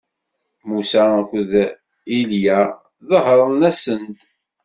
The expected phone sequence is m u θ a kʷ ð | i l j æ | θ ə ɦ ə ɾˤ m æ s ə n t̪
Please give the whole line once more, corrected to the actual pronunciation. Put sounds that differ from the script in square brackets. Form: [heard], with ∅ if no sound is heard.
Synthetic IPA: m u [s] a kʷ ð | i l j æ | [ð] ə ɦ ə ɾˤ [n] æ s ə n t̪